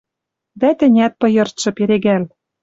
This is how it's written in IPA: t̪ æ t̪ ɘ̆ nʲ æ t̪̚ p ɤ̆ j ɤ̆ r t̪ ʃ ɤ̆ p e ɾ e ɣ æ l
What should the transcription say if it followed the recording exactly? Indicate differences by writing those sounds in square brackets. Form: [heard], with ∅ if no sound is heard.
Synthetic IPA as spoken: [d̪] æ t̪ ɘ̆ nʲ æ t̪̚ p ɤ̆ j ɤ̆ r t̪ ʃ ɤ̆ p e ɾ e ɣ æ l

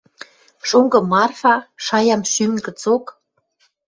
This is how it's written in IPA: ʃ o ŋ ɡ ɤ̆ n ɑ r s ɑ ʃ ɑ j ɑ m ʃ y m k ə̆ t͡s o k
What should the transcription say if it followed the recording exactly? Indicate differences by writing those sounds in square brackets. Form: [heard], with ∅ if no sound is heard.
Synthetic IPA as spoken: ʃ o ŋ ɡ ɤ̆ [m] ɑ r [f] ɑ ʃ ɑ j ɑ m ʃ y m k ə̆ t͡s o k

